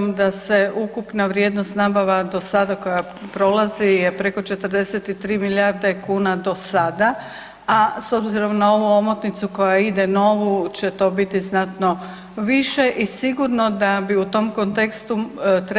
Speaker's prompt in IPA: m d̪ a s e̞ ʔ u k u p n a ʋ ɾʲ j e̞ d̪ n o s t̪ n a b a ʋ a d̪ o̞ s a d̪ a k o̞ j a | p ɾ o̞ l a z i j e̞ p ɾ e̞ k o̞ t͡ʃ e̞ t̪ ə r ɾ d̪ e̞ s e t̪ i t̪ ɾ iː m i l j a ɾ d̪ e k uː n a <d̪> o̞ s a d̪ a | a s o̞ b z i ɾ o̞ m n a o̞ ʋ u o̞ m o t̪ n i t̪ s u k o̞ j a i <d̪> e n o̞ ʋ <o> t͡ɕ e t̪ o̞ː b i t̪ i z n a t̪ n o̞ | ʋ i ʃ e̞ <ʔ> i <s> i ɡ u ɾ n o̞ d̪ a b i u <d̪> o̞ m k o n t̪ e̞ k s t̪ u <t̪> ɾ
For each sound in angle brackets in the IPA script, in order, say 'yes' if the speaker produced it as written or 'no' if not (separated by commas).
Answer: yes, yes, no, yes, yes, no, yes